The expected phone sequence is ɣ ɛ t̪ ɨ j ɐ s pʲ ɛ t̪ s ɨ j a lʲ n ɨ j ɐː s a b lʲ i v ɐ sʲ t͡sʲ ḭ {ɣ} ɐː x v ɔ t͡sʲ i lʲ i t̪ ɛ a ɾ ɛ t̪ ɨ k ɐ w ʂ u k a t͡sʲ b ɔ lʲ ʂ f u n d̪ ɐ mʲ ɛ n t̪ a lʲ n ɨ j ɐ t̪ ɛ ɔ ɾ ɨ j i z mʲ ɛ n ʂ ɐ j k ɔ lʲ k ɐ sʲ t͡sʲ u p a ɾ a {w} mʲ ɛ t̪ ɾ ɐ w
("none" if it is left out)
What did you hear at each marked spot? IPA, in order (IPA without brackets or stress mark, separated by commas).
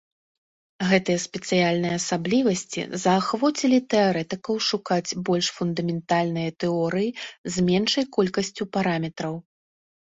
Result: z, none